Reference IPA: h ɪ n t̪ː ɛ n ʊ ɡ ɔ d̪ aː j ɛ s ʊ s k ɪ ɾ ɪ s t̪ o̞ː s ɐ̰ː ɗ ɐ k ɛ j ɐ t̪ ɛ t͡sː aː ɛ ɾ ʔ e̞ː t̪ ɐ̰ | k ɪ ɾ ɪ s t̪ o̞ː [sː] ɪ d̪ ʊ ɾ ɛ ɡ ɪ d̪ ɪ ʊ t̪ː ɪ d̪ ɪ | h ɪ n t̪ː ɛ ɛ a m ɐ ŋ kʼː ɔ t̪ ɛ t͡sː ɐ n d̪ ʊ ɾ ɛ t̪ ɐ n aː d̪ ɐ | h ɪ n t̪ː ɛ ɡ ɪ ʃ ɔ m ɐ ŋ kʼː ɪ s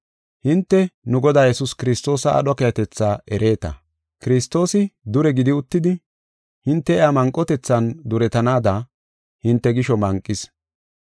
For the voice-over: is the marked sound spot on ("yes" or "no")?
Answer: no